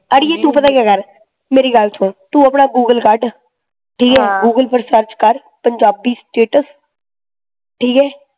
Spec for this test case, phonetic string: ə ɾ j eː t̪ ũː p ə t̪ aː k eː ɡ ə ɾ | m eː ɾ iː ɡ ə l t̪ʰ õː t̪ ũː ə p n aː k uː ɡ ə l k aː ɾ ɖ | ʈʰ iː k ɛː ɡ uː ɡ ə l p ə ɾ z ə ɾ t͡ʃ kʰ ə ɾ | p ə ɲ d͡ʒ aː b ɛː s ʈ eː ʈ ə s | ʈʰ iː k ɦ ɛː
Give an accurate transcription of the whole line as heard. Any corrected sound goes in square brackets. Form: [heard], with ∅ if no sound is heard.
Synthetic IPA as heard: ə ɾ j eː t̪ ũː p ə t̪ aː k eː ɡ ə ɾ | m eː ɾ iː ɡ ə l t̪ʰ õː t̪ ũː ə p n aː [ɡ] uː ɡ ə l k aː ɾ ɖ | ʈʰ iː k ɛː ɡ uː ɡ ə l p ə ɾ [s] ə ɾ t͡ʃ [k] ə ɾ | p ə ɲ d͡ʒ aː b [iː] s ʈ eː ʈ ə s | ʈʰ iː k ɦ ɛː

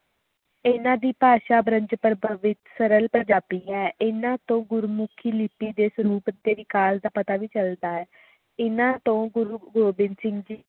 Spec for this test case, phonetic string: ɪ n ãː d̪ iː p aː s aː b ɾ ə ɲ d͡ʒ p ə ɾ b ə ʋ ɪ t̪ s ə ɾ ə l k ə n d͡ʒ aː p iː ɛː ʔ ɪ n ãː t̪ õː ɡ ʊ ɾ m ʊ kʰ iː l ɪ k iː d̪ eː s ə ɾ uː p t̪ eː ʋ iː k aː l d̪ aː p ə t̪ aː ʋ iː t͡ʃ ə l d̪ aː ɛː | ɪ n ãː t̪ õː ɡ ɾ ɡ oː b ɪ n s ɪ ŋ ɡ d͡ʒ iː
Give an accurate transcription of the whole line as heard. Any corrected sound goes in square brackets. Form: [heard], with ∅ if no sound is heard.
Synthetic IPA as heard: ɪ n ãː d̪ iː p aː [ʃ] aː b ɾ ə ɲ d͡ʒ p ə ɾ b ə ʋ ɪ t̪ s ə ɾ ə l [p] ə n d͡ʒ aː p iː ɛː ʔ ɪ n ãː t̪ õː ɡ ʊ ɾ m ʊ kʰ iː l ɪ [p] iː d̪ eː s ə ɾ uː p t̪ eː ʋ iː k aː l d̪ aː p ə t̪ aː ʋ iː t͡ʃ ə l d̪ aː ɛː | ɪ n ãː t̪ õː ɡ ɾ ɡ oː b ɪ n s ɪ ŋ ɡ d͡ʒ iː

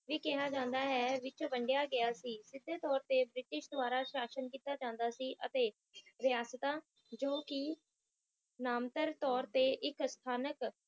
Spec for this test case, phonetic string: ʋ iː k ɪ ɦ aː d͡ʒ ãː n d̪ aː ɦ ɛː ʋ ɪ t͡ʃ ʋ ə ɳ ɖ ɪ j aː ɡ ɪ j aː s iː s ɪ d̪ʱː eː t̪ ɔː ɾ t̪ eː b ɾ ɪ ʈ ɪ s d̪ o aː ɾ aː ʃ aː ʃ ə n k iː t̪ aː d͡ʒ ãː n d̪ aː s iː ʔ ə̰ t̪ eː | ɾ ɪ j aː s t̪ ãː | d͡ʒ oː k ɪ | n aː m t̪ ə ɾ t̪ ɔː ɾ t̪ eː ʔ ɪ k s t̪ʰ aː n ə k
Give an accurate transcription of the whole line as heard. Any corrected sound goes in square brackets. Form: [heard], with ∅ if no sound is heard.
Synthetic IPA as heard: ʋ iː k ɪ ɦ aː d͡ʒ ãː n d̪ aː ɦ ɛː ʋ ɪ t͡ʃ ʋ ə ɳ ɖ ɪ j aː ɡ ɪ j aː s iː s ɪ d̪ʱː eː t̪ ɔː ɾ t̪ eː b ɾ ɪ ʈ ɪ [ʃ] d̪ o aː ɾ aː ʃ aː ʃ ə n k iː t̪ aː d͡ʒ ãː n d̪ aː s iː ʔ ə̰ t̪ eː | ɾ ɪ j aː s t̪ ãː | d͡ʒ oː k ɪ | n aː m t̪ ə ɾ t̪ ɔː ɾ t̪ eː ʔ ɪ k s t̪ʰ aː n ə k

